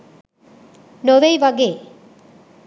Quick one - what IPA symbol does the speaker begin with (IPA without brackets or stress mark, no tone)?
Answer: n